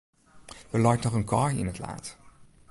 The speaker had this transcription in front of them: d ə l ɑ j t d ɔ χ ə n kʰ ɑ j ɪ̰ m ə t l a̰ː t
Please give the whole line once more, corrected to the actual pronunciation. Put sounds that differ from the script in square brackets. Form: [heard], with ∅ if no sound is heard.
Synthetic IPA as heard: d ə l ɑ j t [n] ɔ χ ə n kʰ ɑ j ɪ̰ [n] ə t l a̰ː t